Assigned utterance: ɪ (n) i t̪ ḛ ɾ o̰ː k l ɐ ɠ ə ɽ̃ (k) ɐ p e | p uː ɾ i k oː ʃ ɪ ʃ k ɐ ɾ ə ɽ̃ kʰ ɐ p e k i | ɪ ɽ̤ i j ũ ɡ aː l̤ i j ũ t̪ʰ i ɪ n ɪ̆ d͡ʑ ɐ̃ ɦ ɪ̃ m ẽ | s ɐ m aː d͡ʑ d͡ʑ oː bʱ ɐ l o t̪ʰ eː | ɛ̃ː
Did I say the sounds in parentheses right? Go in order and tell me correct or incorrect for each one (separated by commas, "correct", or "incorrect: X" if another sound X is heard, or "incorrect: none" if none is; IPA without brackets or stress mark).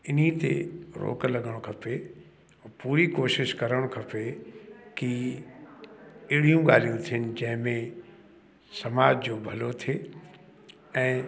correct, incorrect: kʰ